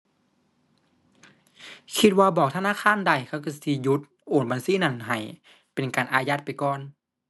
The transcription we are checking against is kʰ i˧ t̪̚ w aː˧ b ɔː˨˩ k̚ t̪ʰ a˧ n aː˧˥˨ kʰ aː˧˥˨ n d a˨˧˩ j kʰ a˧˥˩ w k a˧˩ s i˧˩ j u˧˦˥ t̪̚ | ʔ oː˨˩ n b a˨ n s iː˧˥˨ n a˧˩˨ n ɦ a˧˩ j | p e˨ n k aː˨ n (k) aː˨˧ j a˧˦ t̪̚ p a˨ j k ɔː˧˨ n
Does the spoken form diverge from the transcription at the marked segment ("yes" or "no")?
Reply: yes